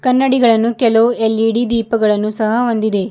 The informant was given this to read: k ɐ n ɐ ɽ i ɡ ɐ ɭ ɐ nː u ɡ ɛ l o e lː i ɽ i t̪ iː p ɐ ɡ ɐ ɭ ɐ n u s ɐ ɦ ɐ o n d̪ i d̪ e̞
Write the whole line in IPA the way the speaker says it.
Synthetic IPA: k ɐ nː ɐ ɽ i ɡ ɐ ɭ ɐ nː u k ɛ l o e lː i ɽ i d̪ iː p ɐ ɡ ɐ ɭ ɐ nː u s ɐ ɦ ɐ o n d̪ i d̪ e̞